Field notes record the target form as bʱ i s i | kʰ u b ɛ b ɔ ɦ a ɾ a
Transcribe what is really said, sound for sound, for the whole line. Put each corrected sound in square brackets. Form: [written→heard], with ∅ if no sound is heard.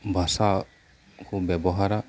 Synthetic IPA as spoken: bʱ [i→a] s [i→a] | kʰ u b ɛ b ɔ ɦ a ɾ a